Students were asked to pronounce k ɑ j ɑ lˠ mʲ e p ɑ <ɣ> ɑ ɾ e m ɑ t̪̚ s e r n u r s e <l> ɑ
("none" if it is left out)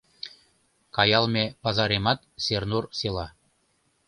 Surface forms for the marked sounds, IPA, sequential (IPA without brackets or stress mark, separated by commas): z, l